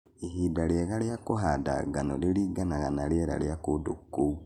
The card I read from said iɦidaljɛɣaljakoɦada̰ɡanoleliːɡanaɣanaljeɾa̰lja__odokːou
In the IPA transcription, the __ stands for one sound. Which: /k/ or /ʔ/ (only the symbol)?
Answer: k